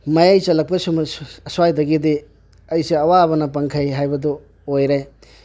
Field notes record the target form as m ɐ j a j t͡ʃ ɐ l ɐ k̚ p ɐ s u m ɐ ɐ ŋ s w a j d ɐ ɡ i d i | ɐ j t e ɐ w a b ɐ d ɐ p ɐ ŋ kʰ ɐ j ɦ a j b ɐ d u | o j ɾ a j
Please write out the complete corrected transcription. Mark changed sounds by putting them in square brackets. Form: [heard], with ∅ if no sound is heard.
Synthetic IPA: m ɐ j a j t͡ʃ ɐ l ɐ k̚ p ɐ s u m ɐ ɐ [∅] s w a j d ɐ ɡ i d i | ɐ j [s] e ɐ w a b ɐ [n] ɐ p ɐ ŋ kʰ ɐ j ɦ a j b ɐ d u | o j ɾ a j